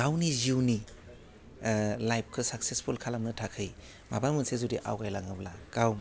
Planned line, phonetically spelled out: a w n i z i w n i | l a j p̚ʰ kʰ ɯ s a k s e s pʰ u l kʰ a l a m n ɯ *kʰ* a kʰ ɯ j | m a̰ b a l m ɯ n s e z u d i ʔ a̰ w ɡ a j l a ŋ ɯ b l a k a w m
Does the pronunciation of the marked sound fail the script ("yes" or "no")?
yes